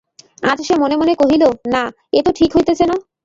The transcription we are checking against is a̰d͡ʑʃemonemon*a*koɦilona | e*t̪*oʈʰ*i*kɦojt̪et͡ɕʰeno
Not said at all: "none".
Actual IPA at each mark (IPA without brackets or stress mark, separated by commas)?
e, t̪, i